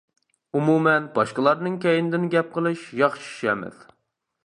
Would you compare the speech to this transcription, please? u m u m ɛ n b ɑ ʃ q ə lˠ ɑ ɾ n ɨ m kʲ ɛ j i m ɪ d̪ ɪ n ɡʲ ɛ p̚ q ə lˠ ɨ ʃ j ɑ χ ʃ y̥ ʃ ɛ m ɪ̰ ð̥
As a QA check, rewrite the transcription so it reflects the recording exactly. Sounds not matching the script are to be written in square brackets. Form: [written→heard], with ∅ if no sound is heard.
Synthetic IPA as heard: u m u m ɛ n b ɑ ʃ q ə lˠ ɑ ɾ n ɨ [m→ŋ] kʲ ɛ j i [m→n] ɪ d̪ ɪ n ɡʲ ɛ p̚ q ə lˠ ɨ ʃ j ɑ χ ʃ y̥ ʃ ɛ m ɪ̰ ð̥